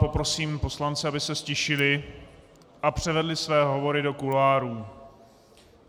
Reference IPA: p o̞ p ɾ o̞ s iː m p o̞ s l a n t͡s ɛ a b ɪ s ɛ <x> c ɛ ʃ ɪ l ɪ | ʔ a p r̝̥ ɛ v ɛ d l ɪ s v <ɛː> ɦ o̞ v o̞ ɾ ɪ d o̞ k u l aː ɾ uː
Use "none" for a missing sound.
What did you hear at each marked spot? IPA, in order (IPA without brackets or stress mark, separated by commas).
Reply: s, ɛː